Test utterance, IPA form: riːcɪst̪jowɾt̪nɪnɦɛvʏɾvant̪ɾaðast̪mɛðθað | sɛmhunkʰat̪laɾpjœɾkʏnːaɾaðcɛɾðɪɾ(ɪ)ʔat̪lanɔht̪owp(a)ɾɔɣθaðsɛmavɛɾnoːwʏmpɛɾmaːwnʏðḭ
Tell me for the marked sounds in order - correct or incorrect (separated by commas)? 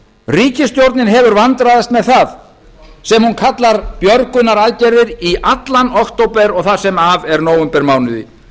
incorrect, incorrect